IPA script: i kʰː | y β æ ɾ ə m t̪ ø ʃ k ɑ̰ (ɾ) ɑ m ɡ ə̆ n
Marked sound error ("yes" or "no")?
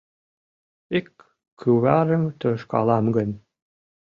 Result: yes